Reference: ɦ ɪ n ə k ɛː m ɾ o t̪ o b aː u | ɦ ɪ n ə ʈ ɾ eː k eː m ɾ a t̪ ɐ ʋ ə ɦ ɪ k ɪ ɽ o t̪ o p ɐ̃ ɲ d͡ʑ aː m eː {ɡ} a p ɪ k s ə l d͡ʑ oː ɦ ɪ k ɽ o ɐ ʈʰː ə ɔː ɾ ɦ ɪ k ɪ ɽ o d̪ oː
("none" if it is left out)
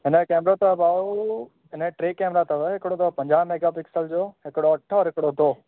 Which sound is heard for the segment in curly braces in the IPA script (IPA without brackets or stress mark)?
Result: ɡ